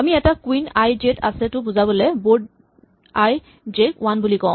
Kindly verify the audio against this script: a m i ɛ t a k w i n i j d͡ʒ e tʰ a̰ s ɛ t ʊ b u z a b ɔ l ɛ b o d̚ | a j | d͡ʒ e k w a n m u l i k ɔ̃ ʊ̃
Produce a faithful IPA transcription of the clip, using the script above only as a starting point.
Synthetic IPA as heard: a m i ɛ t a k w i n a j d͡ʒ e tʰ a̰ s ɛ t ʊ b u z a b ɔ l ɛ b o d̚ | a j | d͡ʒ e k w a n b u l i k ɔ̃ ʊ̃

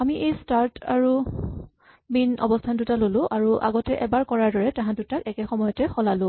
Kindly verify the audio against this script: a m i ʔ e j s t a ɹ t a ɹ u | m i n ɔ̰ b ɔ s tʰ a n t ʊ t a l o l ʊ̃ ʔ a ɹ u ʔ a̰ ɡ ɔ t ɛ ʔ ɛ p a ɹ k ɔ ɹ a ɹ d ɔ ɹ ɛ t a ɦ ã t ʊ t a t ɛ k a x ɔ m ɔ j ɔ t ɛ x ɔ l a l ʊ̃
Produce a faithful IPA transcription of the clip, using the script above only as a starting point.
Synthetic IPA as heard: a m i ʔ e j s t a ɹ t a ɹ u | m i n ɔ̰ b ɔ s tʰ a n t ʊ t a l o l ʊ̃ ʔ a ɹ u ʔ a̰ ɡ ɔ t ɛ ʔ ɛ b a ɹ k ɔ ɹ a ɹ d ɔ ɹ ɛ t a ɦ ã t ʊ t a k ɛ k ɛ x ɔ m ɔ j ɔ t ɛ x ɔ l a l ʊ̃

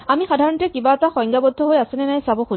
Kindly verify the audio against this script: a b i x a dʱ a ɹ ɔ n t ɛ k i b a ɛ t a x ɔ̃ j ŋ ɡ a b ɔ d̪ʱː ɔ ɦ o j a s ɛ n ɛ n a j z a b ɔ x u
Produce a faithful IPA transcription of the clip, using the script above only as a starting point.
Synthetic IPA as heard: a m i x a dʱ a ɹ ɔ n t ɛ k i b a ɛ t a x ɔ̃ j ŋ ɡ a b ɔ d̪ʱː ɔ ɦ o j a s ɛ n ɛ n a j s a b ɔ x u

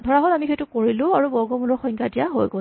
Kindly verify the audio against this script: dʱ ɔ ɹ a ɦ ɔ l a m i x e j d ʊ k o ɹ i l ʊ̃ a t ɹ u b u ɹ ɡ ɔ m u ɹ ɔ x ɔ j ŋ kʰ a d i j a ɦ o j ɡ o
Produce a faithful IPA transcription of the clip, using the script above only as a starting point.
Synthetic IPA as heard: dʱ ɔ ɹ a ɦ ɔ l a m i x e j t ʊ k o ɹ i l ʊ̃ a ɹ u b ɔ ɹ ɡ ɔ m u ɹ ɔ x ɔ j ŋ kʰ a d i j a ɦ o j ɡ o

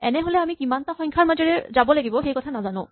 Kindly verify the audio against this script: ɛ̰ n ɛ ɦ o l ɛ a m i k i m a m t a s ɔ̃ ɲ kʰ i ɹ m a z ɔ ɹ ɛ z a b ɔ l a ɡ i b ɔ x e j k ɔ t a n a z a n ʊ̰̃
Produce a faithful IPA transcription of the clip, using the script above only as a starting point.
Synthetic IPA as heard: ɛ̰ n ɛ ɦ o l ɛ a m i k i m a n t a x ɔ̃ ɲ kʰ a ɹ m a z ɔ ɹ ɛ z a b ɔ l a ɡ i b ɔ x e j k ɔ tʰ a n a z a n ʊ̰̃

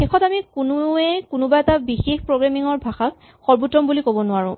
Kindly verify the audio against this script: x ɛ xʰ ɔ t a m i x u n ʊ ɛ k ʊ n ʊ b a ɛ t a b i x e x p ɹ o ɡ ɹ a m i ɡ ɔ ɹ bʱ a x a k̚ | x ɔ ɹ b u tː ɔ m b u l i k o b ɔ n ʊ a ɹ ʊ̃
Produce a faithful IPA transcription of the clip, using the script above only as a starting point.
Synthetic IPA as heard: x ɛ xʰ ɔ t a m i k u n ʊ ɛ k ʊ n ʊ b a ɛ t a b i x e x p ɹ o ɡ ɹ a m i ŋ ɔ ɹ bʱ a x a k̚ | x ɔ ɹ b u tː ɔ m b u l i k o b ɔ n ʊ a ɹ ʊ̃

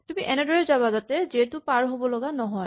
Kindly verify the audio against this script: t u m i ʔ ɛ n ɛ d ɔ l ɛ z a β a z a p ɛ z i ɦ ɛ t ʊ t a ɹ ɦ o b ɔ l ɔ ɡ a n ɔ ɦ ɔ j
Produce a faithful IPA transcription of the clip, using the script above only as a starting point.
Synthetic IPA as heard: t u m i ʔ ɛ n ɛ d ɔ ɹ ɛ z a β a z a t ɛ z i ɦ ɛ t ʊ p a ɹ ɦ o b ɔ l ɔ ɡ a n ɔ ɦ ɔ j

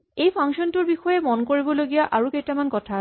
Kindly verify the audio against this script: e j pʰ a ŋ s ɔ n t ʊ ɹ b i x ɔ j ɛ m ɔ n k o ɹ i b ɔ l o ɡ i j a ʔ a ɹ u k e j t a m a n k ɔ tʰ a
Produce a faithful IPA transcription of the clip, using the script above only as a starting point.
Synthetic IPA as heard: e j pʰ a ŋ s ɔ n t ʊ ɹ b i x ɔ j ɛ m ɔ n k o ɹ i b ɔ l o ɡ i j a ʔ a ɹ u k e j t a m a n k ɔ tʰ a

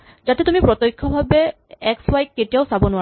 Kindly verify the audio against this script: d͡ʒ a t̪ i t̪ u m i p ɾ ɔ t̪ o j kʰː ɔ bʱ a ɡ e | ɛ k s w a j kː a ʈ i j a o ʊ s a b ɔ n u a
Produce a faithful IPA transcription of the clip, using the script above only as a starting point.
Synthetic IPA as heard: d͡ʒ a t̪ e t̪ u m i p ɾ ɔ t̪ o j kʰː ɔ bʱ a b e | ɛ k s w a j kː e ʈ i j a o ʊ s a b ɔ n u a

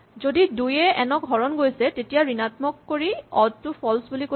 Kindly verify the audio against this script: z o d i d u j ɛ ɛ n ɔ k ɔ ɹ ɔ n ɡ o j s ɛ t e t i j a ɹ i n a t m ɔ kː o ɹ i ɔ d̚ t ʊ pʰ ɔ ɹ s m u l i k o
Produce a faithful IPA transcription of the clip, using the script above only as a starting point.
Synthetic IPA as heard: z o d i d u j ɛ ɛ n ɔ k ɔ ɹ ɔ n ɡ o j s ɛ t e t i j a ɹ i n a t m ɔ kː o ɹ i ɔ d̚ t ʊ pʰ ɔ l s b u l i k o

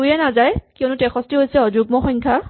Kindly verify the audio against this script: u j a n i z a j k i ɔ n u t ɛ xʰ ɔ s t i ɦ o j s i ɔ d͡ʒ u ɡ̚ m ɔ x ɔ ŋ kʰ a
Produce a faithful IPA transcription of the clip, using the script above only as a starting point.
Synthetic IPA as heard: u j ɛ n a z a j k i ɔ n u t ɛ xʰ ɔ s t i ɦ o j s ɛ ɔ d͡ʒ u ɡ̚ m ɔ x ɔ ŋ kʰ a

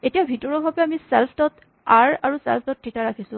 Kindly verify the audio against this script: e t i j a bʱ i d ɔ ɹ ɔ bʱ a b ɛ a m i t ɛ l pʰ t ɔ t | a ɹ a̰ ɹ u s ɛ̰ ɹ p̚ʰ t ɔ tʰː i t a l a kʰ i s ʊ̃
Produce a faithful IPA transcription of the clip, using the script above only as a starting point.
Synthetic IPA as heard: e t i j a bʱ i t ɔ ɹ ɔ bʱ a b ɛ a m i s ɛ l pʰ t ɔ t | a ɹ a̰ ɹ u s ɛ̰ l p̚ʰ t ɔ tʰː i t a ɹ a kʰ i s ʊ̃

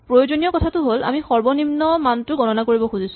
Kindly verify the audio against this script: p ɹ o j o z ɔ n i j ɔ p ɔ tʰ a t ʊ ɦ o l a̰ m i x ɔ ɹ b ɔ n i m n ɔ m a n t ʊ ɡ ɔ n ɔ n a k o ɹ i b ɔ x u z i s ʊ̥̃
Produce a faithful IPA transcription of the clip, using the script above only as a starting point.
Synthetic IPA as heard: p ɹ o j o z o n i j ɔ k ɔ tʰ a t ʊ ɦ o l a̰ m i x ɔ ɹ b ɔ n i m n ɔ m a n t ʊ ɡ ɔ n ɔ n a k o ɹ i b ɔ x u z i s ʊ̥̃

